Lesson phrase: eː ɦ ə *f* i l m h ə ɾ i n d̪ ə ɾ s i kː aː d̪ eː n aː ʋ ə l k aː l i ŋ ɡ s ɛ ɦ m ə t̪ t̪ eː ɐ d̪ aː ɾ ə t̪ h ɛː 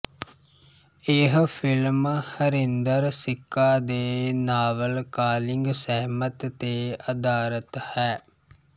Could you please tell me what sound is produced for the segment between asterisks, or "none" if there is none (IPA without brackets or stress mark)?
f